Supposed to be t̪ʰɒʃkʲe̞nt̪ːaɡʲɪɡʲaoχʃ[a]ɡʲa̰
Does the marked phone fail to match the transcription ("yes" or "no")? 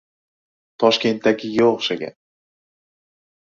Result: no